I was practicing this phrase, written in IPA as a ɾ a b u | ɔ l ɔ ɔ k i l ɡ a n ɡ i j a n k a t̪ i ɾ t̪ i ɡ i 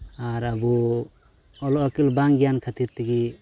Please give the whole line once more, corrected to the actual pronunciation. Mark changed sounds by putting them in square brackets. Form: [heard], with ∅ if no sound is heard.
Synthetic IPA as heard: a ɾ a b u | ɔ l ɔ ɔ k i l [b] a [ŋ] ɡ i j a n [kʰ] a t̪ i ɾ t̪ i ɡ i